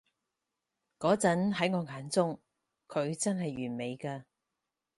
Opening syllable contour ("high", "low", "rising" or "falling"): rising